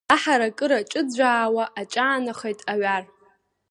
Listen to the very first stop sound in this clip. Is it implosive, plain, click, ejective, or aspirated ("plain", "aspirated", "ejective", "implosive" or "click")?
ejective